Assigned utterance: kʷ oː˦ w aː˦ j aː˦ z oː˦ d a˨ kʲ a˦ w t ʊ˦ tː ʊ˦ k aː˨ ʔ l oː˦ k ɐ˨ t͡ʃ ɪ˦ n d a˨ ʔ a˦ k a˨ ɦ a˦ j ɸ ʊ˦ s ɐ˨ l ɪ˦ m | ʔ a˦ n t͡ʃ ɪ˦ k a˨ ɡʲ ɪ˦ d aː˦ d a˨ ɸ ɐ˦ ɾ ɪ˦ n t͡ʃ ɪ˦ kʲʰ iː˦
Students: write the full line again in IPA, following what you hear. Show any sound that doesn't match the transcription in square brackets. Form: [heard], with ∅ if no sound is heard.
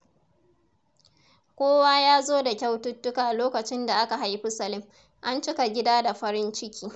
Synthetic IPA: kʷ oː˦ w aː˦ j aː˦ z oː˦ d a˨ kʲ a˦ w t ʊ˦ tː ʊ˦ k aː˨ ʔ l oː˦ k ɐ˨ t͡ʃ ɪ˦ n d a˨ ʔ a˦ k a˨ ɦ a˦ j ɸ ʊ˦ s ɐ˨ l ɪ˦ m | ʔ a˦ n t͡ʃ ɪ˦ k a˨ ɡʲ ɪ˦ d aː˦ d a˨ ɸ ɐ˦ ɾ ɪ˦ n t͡ʃ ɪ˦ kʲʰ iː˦